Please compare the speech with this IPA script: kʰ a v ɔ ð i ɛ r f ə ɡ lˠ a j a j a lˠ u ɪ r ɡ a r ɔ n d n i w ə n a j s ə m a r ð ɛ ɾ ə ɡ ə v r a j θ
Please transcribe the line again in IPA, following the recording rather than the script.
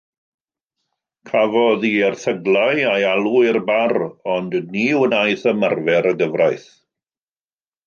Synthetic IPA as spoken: kʰ a v ɔ ð i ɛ r θ ə ɡ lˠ a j a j a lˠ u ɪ r b a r ɔ n d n i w ə n a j θ ə m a r v ɛ ɾ ə ɡ ə v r a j θ

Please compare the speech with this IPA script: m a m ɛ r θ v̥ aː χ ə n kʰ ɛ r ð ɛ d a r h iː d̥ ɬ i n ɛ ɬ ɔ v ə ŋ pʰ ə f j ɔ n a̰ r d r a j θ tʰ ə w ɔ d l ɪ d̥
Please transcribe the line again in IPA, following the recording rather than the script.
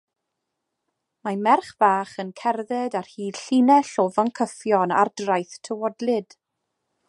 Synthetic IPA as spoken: m a m ɛ r χ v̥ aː χ ə n kʰ ɛ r ð ɛ d a r h iː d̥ ɬ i n ɛ ɬ ɔ v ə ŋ kʰ ə f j ɔ n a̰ r d r a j θ tʰ ə w ɔ d l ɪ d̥

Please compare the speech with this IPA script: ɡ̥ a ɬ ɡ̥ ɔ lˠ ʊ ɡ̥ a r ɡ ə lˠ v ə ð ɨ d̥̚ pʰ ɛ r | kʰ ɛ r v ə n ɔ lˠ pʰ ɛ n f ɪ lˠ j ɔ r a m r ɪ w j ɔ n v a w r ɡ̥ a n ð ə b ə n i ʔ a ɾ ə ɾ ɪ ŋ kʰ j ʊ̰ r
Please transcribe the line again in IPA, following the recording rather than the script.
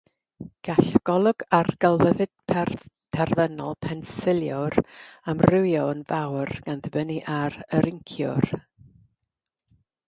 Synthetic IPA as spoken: ɡ̥ a ɬ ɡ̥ ɔ lˠ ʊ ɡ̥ a r ɡ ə lˠ v ə ð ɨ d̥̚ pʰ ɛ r | tʰ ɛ r v ə n ɔ lˠ pʰ ɛ n s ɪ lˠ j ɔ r a m r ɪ w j ɔ n v a w r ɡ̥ a n ð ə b ə n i ʔ a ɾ ə ɾ ɪ ŋ kʰ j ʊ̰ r

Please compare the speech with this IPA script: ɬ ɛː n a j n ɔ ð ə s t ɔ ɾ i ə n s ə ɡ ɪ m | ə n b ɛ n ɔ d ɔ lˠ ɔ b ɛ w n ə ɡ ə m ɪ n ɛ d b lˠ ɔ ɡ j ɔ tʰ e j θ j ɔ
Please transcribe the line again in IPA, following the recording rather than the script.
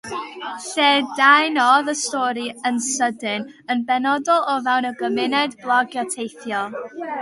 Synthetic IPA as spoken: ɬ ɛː d a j n ɔ ð ə s t ɔ ɾ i ə n s ə d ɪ n | ə n b ɛ n ɔ d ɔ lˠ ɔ v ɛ w n ə ɡ ə m ɪ n ɛ d b lˠ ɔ ɡ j ɔ tʰ e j θ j ɔ

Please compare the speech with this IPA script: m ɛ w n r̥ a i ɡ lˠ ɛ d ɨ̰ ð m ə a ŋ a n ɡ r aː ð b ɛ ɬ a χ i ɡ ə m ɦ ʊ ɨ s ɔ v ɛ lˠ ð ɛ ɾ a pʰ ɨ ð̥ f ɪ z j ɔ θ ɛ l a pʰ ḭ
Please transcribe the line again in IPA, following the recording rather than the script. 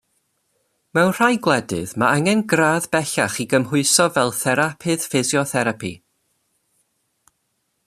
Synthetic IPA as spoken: m ɛ w n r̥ a j ɡ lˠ ɛ d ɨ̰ ð m a a ŋ ɛ n ɡ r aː ð b ɛ ɬ a χ i ɡ ə m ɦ ʊ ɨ s ɔ v ɛ lˠ θ ɛ ɾ a pʰ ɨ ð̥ f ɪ z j ɔ θ ɛ ɾ a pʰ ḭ

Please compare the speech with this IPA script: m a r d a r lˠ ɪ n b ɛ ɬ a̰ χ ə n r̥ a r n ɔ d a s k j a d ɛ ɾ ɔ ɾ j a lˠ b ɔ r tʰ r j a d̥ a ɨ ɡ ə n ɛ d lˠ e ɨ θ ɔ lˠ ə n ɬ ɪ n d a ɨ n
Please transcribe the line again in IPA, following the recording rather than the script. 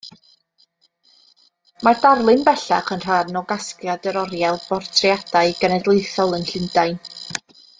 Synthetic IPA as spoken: m a r d a r lˠ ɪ n b ɛ ɬ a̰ χ ə n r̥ a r n ɔ ɡ a s k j a d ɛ ɾ ɔ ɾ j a lˠ b ɔ r tʰ r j a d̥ a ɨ ɡ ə n ɛ d lˠ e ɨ θ ɔ lˠ ə n ɬ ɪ n d a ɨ n

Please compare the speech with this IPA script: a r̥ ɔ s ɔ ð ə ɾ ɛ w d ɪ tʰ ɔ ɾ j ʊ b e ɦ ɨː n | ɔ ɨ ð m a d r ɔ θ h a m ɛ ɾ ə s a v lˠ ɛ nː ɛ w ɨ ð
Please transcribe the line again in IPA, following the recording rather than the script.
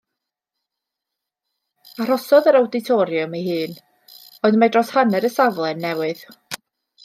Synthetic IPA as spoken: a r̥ ɔ s ɔ ð ə ɾ a w d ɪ tʰ ɔ ɾ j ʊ m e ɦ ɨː n | ɔ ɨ ð m a d r ɔ s h a n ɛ ɾ ə s a v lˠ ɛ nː ɛ w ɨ ð

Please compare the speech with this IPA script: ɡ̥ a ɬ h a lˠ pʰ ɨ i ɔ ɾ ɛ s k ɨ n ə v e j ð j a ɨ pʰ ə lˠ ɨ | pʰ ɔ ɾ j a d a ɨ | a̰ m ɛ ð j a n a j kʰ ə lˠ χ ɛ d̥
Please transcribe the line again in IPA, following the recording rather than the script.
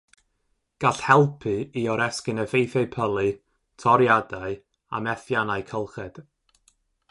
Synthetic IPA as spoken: ɡ̥ a ɬ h ɛ lˠ pʰ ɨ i ɔ ɾ ɛ s k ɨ n ə v e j θ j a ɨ pʰ ə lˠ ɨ | tʰ ɔ ɾ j a d a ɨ | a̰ m ɛ θ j a n a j kʰ ə lˠ χ ɛ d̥

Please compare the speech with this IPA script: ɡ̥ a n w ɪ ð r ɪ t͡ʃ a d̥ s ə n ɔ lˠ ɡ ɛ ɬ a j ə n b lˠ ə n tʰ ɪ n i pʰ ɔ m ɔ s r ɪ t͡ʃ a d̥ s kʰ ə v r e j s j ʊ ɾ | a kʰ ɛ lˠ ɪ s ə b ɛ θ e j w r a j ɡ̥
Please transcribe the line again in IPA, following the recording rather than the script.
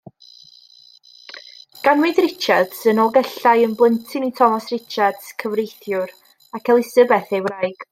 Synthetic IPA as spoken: ɡ̥ a n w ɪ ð r ɪ t͡ʃ a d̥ s ə n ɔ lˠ ɡ ɛ ɬ a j ə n b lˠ ə n tʰ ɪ n i tʰ ɔ m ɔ s r ɪ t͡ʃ a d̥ s kʰ ə v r e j θ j ʊ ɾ | a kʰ ɛ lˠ ɪ s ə b ɛ θ e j w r a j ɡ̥

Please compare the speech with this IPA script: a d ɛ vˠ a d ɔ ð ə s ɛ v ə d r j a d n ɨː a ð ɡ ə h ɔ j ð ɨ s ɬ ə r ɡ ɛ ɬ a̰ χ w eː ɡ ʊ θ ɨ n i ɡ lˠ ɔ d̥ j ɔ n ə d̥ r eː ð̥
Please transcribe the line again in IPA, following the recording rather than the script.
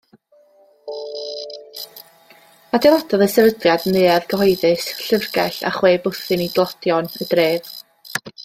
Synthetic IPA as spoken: a d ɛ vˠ a d ɔ ð ə s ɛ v ə d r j a d n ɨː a ð ɡ ə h ɔ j ð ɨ s ɬ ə r ɡ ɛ ɬ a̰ χ w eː b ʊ θ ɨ n i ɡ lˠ ɔ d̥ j ɔ n ə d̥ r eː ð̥

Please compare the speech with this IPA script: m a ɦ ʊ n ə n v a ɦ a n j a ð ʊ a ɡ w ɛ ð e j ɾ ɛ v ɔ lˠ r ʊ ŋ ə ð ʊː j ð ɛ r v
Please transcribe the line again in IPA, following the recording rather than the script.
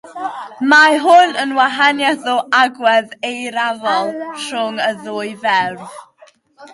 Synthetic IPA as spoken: m a ɦ ʊ n ə n w a ɦ a n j a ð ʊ a ɡ w ɛ ð e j ɾ a v ɔ lˠ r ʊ ŋ ə ð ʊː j v ɛ r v

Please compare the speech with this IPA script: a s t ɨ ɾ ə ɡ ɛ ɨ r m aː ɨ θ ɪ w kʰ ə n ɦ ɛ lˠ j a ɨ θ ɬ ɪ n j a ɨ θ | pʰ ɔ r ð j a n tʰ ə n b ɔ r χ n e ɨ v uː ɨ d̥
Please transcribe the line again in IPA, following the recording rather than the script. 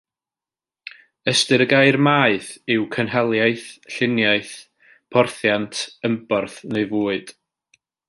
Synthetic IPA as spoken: ə s t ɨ ɾ ə ɡ a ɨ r m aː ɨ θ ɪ w kʰ ə n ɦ ɛ lˠ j a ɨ θ ɬ ɪ n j a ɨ θ | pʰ ɔ r θ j a n tʰ ə m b ɔ r θ n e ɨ v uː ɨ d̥

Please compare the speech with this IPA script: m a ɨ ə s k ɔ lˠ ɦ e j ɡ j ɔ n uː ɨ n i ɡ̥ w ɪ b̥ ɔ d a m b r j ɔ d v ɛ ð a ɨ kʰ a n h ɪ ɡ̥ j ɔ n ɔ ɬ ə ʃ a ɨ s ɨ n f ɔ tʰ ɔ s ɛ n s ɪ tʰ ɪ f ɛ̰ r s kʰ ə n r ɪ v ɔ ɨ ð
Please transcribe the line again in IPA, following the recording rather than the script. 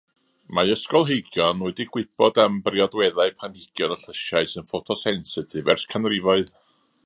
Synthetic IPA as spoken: m a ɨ ə s k ɔ lˠ ɦ e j ɡ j ɔ n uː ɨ d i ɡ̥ w ɪ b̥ ɔ d a m b r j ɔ d w ɛ ð a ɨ pʰ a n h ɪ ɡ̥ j ɔ n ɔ ɬ ə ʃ a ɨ s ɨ n f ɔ tʰ ɔ s ɛ n s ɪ tʰ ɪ v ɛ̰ r s kʰ a n r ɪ v ɔ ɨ ð

